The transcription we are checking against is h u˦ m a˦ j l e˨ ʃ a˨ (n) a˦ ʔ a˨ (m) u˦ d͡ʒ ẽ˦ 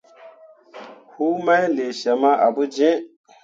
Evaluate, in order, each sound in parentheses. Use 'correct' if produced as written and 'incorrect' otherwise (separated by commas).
incorrect, incorrect